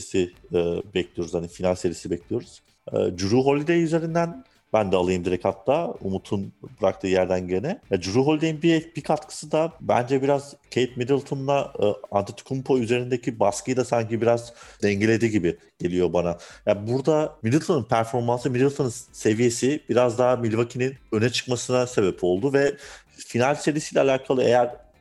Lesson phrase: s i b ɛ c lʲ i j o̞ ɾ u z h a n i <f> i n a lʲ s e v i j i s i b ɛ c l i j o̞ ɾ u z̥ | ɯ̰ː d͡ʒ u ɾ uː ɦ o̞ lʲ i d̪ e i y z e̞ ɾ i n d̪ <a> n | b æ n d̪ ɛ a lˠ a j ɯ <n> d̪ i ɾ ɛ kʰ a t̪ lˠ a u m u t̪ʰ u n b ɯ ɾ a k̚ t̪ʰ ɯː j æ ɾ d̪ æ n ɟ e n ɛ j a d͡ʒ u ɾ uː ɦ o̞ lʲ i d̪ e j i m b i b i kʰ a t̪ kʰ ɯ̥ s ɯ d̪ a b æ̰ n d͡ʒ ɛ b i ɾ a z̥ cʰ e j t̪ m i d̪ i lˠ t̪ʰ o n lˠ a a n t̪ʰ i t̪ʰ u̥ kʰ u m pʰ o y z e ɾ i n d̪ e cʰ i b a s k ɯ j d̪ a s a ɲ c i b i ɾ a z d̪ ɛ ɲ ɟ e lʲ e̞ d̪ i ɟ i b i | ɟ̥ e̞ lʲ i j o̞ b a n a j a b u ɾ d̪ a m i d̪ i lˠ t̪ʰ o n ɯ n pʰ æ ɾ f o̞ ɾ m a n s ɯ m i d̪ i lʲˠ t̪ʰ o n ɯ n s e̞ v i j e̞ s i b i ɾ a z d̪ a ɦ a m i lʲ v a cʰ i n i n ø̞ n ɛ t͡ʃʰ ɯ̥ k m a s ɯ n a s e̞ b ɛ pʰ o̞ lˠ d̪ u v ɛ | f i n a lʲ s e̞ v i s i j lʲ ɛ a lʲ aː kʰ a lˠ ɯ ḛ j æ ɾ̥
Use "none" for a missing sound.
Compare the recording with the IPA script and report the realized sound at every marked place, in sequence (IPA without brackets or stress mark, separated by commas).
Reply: f, æ, m